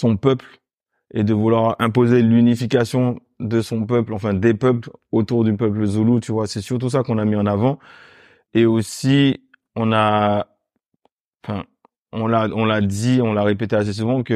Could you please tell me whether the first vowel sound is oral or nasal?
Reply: nasal